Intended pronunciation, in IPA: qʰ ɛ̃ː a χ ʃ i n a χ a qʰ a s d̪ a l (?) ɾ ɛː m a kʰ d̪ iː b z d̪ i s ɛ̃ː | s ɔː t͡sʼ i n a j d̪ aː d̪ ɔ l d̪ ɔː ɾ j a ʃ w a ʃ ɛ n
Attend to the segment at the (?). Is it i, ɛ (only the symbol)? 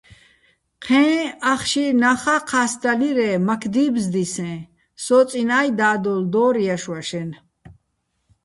i